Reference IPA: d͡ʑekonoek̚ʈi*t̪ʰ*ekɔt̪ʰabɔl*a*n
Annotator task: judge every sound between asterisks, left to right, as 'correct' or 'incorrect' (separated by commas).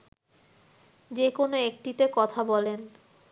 incorrect, incorrect